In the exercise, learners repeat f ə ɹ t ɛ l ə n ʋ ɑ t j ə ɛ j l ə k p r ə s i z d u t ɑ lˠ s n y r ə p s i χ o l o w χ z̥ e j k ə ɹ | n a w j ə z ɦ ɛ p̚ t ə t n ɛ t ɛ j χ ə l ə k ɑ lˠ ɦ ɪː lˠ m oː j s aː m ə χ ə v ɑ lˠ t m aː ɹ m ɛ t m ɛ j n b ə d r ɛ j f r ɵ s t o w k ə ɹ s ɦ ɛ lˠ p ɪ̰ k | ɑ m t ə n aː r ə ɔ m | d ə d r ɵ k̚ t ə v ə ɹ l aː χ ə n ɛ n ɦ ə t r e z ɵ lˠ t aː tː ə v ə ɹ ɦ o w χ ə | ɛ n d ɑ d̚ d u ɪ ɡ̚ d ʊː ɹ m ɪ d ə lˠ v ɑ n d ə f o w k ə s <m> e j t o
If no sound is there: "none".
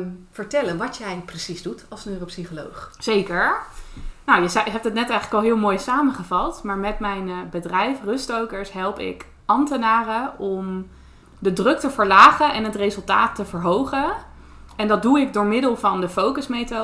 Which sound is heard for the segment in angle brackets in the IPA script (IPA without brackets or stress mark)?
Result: m